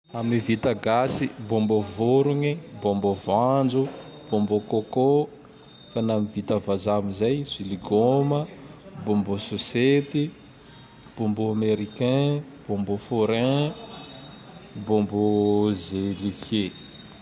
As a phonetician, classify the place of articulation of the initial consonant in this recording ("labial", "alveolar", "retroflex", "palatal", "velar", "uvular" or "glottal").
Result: labial